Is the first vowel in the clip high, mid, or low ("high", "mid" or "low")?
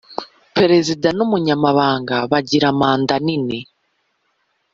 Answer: mid